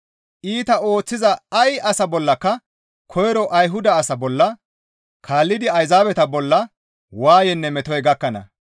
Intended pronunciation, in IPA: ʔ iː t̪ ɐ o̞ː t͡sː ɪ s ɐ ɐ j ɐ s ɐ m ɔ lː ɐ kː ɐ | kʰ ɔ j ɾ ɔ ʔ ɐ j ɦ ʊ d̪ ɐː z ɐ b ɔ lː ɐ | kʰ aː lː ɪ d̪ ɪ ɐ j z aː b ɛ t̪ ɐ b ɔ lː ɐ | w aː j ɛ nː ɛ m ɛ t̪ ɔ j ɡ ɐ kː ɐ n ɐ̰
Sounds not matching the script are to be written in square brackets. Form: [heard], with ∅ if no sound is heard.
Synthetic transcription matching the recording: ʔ iː t̪ ɐ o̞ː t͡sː ɪ [z] ɐ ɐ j ɐ s ɐ [b] ɔ lː ɐ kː ɐ | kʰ ɔ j ɾ ɔ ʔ ɐ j ɦ ʊ d̪ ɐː [s] ɐ b ɔ lː ɐ | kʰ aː lː ɪ d̪ ɪ ɐ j z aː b ɛ t̪ ɐ b ɔ lː ɐ | w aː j ɛ nː ɛ m ɛ t̪ ɔ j ɡ ɐ kː ɐ n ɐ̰